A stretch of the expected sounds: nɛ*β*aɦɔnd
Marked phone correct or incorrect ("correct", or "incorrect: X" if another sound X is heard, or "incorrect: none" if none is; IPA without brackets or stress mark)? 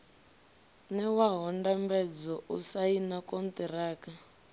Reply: incorrect: w